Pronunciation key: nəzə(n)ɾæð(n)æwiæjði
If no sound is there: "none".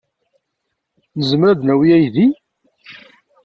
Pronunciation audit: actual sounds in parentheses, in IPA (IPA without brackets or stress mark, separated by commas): m, n